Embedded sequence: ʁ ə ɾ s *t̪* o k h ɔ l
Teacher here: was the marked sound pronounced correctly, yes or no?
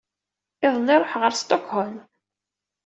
yes